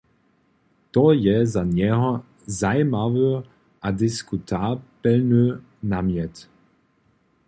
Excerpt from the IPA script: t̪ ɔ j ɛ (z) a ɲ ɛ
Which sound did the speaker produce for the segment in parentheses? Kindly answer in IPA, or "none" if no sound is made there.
z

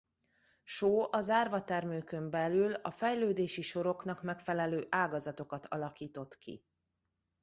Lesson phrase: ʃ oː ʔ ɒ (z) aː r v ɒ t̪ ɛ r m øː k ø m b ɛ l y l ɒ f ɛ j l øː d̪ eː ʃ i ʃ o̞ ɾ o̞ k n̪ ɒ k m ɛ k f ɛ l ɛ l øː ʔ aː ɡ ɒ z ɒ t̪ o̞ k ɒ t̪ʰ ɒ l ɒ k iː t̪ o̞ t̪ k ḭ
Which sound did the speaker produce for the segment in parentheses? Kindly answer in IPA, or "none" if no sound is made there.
z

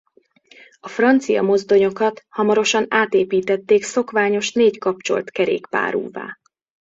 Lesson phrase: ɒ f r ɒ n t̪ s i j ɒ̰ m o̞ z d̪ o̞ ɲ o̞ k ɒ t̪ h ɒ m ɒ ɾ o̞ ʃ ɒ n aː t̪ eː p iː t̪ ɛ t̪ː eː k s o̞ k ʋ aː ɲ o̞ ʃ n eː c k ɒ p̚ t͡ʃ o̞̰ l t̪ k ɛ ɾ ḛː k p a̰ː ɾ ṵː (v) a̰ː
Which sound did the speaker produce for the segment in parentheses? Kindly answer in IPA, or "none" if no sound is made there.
v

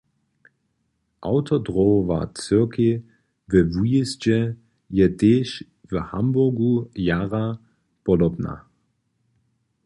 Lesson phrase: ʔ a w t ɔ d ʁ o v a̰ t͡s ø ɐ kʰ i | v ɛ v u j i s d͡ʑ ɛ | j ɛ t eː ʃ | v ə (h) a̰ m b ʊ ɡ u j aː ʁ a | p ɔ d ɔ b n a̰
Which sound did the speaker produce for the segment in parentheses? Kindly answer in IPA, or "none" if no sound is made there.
h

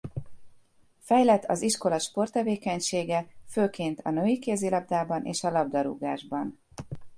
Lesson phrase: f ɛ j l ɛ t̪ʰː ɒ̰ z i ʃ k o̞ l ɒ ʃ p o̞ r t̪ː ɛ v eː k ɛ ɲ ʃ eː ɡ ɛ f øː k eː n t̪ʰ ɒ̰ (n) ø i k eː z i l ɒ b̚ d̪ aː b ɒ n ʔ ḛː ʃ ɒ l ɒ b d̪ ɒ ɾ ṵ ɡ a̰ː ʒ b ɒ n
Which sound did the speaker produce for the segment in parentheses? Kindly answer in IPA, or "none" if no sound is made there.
n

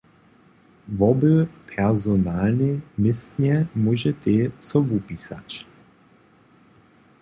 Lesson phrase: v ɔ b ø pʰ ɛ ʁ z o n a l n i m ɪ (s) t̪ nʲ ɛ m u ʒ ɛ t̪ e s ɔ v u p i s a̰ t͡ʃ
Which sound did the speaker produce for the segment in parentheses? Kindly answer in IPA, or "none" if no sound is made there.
s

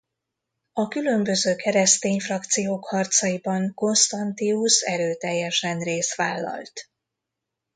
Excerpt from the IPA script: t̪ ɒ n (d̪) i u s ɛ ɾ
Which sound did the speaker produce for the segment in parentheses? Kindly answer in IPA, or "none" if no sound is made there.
t̪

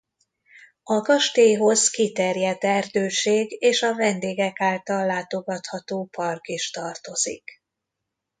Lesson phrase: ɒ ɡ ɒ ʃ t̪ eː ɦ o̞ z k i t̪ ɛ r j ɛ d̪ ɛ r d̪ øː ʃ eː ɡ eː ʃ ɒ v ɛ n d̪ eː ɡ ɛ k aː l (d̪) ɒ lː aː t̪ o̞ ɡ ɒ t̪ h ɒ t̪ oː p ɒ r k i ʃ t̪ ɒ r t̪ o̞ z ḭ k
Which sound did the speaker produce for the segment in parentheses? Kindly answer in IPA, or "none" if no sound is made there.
t̪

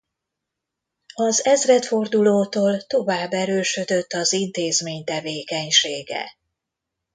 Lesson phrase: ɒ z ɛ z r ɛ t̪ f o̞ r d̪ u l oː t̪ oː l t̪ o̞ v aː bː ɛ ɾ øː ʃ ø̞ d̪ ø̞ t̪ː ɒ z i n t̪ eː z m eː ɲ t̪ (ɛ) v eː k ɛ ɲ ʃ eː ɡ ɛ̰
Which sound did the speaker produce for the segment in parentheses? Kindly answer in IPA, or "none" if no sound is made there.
ɛ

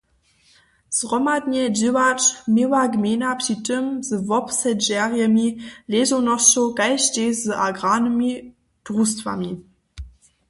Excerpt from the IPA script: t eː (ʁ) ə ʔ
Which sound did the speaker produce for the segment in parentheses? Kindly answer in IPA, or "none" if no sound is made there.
z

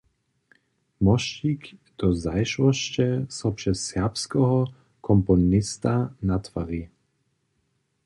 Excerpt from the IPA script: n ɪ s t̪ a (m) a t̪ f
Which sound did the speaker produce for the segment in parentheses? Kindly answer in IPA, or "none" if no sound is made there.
n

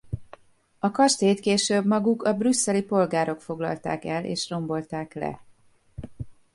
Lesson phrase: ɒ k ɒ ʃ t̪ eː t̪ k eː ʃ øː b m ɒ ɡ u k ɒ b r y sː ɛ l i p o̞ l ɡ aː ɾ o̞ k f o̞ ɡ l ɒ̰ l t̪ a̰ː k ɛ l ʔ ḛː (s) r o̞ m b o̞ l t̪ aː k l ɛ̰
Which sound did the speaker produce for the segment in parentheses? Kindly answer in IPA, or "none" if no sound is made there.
ʃ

